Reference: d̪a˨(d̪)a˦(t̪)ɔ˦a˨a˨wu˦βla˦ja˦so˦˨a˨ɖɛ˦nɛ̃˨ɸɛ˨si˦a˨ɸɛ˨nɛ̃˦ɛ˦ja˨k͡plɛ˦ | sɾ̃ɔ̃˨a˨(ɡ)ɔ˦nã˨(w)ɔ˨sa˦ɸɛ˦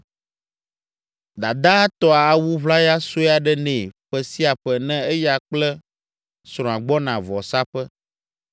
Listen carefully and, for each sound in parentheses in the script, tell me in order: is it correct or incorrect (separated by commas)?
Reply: correct, correct, incorrect, incorrect